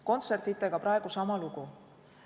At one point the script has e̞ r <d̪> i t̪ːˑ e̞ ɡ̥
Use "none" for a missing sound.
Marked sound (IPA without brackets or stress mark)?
t̪